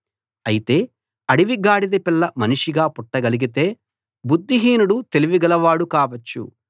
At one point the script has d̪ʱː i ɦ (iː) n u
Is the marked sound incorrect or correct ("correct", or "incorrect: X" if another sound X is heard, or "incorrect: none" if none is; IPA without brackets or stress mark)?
correct